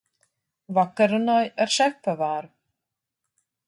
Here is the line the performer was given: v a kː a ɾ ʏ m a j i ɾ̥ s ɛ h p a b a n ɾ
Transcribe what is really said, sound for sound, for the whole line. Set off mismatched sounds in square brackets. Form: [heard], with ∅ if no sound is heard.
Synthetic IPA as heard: v a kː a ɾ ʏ [n] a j [ɛ] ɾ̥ s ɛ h p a [v] a [∅] ɾ